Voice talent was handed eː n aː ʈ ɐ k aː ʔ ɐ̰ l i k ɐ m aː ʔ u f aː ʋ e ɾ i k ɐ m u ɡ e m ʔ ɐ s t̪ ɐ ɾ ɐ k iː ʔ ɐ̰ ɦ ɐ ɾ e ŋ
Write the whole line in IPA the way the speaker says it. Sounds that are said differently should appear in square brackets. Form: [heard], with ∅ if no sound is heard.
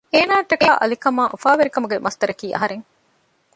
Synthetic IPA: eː n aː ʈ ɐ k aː ʔ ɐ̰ l i k ɐ m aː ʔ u f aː ʋ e ɾ i k ɐ m u ɡ e m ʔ ɐ s t̪ ɐ ɾ ɐ k iː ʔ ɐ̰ ɦ ɐ ɾ e ŋ